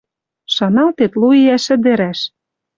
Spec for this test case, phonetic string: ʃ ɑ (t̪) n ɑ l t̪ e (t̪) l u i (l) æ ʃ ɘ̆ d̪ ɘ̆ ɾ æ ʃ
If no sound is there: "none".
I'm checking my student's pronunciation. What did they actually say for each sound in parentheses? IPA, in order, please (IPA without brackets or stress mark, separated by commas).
none, t̪, none